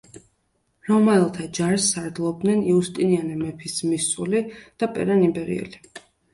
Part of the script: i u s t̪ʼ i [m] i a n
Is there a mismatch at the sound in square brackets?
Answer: yes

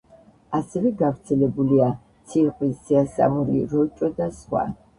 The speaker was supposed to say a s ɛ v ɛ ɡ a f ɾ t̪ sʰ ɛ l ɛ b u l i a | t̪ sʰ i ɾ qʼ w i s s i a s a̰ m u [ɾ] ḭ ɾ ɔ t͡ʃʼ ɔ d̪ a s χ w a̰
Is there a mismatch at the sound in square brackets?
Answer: no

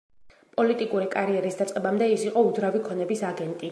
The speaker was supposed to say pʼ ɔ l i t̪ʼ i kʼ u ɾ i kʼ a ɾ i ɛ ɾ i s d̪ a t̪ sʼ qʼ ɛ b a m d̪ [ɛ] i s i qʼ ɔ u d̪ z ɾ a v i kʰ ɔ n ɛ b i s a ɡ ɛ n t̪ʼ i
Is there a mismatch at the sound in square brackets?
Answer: no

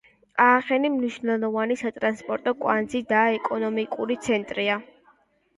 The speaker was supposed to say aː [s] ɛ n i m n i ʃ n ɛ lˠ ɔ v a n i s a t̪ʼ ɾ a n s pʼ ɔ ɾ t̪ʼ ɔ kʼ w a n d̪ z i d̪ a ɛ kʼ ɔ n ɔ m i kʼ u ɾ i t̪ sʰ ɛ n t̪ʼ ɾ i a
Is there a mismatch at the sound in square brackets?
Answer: yes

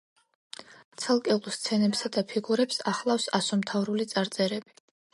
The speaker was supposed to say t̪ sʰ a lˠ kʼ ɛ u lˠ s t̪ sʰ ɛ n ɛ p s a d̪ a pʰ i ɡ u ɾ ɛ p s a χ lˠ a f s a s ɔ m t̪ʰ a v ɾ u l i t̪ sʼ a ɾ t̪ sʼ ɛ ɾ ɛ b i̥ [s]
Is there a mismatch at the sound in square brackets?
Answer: yes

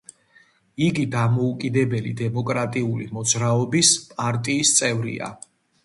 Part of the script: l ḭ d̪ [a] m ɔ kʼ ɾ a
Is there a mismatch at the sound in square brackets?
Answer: yes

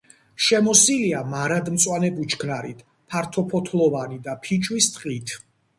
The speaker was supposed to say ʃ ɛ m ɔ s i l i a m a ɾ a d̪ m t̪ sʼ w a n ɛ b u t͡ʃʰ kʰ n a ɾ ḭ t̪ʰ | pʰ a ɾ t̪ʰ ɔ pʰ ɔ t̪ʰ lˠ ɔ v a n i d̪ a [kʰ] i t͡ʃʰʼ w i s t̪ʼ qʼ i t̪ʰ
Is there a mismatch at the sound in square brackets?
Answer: yes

